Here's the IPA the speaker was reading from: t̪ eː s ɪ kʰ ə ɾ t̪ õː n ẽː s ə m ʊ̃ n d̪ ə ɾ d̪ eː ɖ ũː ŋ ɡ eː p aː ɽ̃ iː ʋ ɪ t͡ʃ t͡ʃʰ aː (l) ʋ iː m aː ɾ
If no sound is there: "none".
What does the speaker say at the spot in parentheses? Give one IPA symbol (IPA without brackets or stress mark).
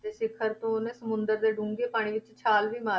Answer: l